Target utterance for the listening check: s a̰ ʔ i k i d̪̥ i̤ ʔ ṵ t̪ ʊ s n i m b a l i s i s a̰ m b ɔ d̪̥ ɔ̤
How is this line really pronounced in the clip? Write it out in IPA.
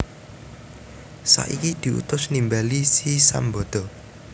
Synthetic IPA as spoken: s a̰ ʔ i k i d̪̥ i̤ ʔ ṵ t̪ ʊ s n i m b a l i s i s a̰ m b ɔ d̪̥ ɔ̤